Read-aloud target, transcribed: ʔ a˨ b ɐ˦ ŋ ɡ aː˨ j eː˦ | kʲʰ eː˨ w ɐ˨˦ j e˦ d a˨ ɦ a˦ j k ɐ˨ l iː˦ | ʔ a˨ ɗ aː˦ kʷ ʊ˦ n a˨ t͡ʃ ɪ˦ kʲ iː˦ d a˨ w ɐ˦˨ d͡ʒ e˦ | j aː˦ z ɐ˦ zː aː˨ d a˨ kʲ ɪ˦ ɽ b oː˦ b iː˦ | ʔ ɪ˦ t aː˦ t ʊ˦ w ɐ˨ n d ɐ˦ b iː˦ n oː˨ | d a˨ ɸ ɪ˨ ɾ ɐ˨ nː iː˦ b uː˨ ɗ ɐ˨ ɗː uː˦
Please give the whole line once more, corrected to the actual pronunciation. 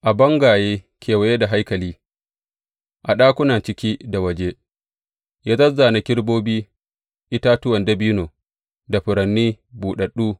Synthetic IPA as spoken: ʔ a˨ b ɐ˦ ŋ ɡ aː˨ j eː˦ | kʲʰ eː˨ w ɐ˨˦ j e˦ d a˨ ɦ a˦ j k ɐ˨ l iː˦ | ʔ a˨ ɗ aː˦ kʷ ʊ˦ n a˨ t͡ʃ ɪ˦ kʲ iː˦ d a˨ w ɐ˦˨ d͡ʒ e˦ | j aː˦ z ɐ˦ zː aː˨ n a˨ kʲ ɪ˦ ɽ b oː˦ b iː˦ | ʔ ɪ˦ t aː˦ t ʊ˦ w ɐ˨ n d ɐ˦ b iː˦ n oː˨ | d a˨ ɸ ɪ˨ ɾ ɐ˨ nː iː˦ b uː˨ ɗ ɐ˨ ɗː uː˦